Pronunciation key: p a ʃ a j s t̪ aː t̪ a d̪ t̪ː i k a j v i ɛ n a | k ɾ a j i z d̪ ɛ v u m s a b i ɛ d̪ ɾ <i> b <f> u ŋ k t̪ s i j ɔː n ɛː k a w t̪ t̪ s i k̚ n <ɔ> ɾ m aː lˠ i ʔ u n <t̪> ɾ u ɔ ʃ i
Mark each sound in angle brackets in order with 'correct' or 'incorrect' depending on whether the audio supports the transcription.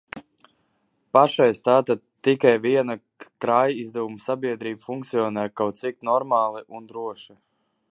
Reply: incorrect: iː, correct, correct, incorrect: d̪

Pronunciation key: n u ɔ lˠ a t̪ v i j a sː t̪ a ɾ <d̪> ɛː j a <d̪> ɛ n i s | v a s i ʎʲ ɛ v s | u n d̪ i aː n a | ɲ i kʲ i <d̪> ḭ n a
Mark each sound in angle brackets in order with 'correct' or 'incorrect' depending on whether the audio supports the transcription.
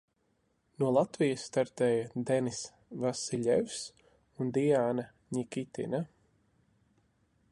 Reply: incorrect: t̪, correct, incorrect: t̪

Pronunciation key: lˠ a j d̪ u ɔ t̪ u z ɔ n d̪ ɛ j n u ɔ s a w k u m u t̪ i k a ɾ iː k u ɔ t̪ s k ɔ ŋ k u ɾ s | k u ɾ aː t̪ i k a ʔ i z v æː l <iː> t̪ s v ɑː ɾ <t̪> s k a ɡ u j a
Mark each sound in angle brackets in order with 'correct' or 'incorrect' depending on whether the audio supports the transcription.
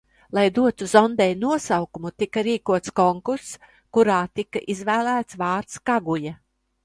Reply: incorrect: æː, correct

